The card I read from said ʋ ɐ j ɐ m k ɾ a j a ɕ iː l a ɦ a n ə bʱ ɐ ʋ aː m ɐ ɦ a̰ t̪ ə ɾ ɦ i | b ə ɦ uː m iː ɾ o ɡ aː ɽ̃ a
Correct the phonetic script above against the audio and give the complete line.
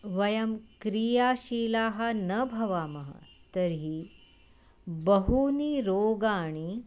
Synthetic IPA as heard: ʋ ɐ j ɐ m k ɾ i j a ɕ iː l a ɦ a n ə bʱ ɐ ʋ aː m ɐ ɦ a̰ t̪ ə ɾ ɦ i | b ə ɦ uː n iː ɾ o ɡ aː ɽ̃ i